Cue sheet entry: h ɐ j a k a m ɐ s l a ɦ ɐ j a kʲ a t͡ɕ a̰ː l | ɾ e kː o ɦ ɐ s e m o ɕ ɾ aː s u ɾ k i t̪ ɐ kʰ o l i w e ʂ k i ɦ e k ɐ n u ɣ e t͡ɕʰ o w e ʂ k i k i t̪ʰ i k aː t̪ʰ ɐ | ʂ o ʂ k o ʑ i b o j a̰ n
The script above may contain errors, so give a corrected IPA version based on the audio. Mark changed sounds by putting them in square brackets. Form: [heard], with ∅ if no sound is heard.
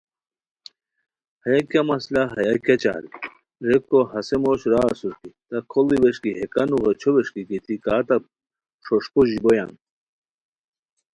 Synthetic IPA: h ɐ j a k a m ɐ s l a ɦ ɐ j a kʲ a t͡ɕ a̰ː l | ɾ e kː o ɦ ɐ s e m o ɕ ɾ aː s u ɾ k i t̪ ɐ kʰ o l i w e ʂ k i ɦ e k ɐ n u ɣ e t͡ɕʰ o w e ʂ k i k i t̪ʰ i k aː [t̪] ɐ | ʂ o ʂ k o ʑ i b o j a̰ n